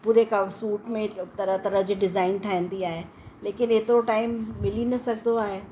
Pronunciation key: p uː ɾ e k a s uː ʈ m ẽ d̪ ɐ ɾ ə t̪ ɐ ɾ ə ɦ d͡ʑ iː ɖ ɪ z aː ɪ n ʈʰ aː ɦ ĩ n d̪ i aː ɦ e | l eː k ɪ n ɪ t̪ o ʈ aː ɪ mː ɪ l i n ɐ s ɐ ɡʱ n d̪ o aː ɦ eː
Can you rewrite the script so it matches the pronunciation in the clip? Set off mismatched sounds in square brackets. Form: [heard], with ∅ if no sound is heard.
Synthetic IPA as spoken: p uː ɾ e k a s uː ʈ m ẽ [t̪] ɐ ɾ ə t̪ ɐ ɾ ə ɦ d͡ʑ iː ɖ ɪ z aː ɪ n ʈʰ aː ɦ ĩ n d̪ i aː ɦ e | l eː k ɪ n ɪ t̪ o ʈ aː ɪ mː ɪ l i n ɐ s ɐ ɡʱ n d̪ o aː ɦ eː